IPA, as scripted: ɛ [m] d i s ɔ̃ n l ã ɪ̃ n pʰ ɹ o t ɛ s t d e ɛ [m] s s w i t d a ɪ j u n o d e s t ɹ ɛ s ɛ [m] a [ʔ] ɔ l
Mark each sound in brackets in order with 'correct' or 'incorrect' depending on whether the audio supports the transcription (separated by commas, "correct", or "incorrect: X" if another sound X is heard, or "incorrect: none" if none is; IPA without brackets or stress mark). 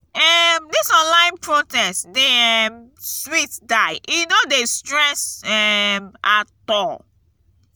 correct, correct, correct, incorrect: t